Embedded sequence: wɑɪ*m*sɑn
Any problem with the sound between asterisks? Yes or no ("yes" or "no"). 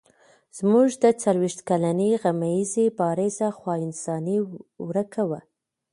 yes